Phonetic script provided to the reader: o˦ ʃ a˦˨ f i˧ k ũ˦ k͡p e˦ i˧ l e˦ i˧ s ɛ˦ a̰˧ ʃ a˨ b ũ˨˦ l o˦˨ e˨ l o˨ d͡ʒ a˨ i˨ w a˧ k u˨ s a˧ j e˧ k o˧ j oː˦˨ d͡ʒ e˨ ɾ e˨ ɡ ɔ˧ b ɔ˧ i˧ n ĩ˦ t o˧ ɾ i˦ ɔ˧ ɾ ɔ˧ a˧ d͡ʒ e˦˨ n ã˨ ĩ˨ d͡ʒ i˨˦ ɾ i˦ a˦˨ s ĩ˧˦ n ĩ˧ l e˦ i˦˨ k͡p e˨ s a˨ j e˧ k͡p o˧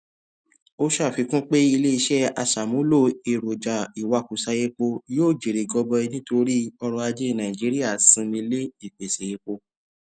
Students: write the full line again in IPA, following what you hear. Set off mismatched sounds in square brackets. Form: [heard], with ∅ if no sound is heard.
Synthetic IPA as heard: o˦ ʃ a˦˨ f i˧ k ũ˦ k͡p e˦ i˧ l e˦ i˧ [ʃ] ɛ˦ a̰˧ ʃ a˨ [m] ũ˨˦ l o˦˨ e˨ [ɾ] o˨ d͡ʒ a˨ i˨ w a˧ k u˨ s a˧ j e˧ [k͡p] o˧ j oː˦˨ d͡ʒ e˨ ɾ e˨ ɡ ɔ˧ b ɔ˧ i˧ n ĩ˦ t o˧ ɾ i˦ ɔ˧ ɾ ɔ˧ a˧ d͡ʒ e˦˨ n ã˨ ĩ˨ d͡ʒ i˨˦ ɾ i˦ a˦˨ s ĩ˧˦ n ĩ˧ l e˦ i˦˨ k͡p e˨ s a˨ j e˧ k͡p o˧